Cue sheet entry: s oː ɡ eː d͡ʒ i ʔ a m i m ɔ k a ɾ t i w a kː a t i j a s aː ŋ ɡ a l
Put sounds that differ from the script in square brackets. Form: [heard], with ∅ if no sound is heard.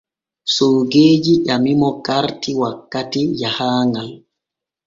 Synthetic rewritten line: s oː ɡ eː d͡ʒ i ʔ a m i m ɔ k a ɾ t i w a kː a t i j a [h] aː ŋ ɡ a l